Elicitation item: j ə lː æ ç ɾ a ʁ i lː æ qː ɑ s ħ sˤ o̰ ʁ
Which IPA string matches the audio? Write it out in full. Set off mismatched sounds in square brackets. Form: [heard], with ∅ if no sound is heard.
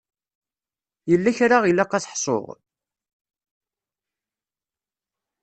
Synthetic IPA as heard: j ə lː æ ç ɾ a ʁ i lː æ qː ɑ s ħ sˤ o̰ ʁ